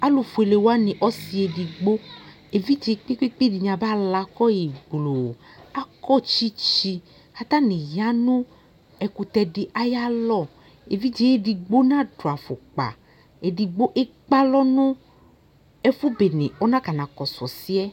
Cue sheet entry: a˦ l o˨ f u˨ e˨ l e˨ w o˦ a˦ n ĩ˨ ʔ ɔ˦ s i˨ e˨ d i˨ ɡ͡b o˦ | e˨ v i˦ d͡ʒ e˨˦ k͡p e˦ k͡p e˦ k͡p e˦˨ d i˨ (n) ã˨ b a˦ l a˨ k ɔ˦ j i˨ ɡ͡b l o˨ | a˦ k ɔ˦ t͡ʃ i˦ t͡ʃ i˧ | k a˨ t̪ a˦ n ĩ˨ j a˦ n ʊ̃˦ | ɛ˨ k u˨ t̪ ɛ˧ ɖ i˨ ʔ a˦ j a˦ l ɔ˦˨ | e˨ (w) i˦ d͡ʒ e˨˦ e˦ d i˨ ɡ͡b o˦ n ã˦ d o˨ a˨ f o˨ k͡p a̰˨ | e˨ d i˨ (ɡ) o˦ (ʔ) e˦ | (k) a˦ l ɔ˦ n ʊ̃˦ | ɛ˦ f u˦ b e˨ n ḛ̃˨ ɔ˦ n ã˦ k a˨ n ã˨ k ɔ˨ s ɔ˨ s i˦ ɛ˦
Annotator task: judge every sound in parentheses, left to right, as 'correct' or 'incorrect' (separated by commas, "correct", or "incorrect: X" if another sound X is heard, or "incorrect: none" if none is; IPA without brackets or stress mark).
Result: incorrect: ɲ, incorrect: v, incorrect: ɡ͡b, correct, incorrect: k͡p